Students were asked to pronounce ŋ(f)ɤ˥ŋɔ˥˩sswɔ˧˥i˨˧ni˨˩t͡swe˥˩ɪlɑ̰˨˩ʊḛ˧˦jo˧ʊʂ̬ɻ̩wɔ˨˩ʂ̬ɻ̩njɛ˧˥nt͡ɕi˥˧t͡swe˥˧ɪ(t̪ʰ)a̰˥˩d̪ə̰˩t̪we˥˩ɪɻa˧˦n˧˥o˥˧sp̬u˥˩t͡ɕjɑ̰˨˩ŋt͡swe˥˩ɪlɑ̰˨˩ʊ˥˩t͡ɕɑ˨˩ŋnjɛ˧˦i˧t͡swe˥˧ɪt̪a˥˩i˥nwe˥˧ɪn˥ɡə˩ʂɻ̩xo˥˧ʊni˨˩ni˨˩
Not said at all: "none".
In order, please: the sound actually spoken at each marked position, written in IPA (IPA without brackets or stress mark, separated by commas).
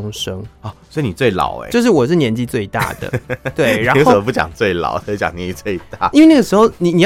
ʂ, t̪